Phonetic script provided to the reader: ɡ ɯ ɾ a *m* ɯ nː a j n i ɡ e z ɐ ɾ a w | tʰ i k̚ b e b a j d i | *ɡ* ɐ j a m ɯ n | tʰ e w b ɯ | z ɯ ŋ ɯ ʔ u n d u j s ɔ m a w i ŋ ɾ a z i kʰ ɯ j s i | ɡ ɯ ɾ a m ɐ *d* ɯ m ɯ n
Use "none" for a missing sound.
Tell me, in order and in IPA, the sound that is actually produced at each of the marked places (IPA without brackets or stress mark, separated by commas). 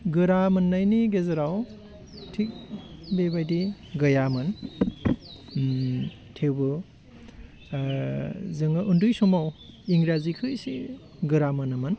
m, ɡ, n